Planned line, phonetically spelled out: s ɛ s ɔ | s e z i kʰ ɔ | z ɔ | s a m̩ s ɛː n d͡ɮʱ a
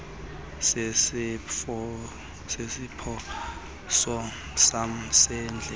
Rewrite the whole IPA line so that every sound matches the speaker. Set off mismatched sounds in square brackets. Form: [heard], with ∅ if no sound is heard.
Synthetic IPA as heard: s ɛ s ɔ | s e [s] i [pʰ] ɔ | [s] ɔ | s a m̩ s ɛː n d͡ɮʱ [ɛ]

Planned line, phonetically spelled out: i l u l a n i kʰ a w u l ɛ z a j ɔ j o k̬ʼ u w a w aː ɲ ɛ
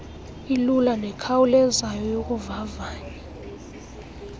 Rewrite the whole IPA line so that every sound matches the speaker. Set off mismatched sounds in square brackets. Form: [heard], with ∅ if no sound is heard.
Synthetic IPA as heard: i l u l a n [ɛ] kʰ a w u l ɛ z a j ɔ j o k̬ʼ u [v] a [v] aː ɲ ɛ

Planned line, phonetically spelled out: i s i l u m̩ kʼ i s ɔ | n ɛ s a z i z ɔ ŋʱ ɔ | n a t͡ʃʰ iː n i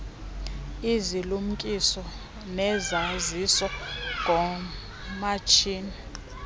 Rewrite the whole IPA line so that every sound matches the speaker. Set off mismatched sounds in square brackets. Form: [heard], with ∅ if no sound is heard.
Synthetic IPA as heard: i [z] i l u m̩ kʼ i s ɔ | n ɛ [z] a z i [s] ɔ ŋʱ ɔ | [m] a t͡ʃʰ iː n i

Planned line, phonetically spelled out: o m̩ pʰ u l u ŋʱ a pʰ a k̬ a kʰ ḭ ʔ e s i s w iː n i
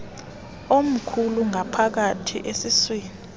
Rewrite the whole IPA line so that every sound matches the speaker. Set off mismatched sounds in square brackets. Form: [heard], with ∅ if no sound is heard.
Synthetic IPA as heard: o m̩ [kʰ] u l u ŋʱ a pʰ a k̬ a [tʰ] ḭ ʔ e s i s w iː n i

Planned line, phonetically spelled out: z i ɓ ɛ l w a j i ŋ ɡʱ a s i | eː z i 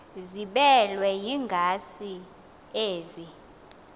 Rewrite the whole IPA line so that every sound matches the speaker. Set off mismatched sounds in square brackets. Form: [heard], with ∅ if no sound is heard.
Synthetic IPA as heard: z i ɓ ɛ l w [ɛ] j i ŋ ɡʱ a s i | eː z i

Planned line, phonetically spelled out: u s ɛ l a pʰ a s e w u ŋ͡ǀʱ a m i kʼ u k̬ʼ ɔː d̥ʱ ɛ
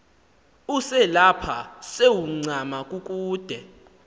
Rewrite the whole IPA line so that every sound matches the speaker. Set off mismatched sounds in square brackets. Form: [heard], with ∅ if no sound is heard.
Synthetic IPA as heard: u s ɛ l a pʰ a s e w u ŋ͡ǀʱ a m [a] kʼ u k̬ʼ [uː] d̥ʱ ɛ

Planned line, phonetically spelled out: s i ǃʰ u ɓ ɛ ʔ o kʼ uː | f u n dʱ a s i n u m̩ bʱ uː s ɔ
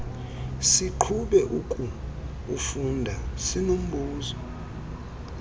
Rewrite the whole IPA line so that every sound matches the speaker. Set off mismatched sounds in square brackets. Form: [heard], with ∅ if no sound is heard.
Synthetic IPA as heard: s i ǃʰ u ɓ ɛ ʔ [u] kʼ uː | f u n dʱ a s i n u m̩ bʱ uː [z] ɔ

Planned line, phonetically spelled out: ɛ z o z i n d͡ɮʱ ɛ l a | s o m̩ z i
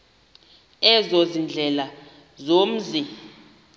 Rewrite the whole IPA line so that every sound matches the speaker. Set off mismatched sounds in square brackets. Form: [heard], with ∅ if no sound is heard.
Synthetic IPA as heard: ɛ z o z i n d͡ɮʱ ɛ l a | [z] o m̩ z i

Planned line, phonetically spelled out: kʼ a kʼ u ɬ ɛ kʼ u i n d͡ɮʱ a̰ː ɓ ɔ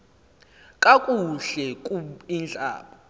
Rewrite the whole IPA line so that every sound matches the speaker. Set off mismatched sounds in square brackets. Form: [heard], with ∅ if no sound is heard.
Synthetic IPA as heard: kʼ a kʼ u ɬ ɛ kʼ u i n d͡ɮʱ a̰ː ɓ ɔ

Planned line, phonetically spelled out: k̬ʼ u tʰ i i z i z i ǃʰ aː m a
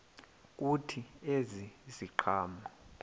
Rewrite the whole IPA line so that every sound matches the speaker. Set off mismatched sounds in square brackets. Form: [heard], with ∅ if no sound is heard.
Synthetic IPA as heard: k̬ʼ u tʰ i [e] z i z i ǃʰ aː m a

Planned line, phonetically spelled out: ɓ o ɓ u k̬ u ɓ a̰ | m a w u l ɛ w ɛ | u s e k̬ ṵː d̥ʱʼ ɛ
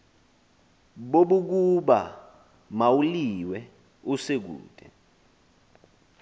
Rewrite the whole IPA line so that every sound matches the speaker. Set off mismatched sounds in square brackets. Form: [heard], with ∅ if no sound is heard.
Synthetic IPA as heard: ɓ o ɓ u k̬ u ɓ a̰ | m a w u l [i] w ɛ | u s e k̬ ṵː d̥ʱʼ ɛ

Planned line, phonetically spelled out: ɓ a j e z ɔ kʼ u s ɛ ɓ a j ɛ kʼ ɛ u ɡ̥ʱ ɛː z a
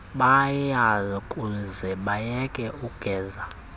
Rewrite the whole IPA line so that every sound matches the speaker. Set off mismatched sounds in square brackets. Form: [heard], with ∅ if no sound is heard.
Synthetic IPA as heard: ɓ a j [a] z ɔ kʼ u [z] ɛ ɓ a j ɛ kʼ ɛ u ɡ̥ʱ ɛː z a

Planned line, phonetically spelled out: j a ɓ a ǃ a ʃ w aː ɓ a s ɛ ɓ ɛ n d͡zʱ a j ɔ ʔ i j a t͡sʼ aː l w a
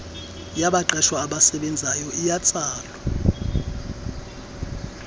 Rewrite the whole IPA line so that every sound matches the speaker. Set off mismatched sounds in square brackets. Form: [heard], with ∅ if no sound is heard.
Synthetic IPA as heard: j a ɓ a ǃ [ɛ] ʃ w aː ɓ a s ɛ ɓ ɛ n d͡zʱ a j ɔ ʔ i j a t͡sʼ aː l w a

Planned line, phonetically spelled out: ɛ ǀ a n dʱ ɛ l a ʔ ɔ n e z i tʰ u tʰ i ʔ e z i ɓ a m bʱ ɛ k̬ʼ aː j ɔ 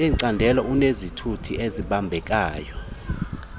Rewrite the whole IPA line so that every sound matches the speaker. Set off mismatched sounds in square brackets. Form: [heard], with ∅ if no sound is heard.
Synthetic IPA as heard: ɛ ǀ a n dʱ ɛ l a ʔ [u] n e z i tʰ u tʰ i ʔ e z i ɓ a m bʱ ɛ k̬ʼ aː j ɔ

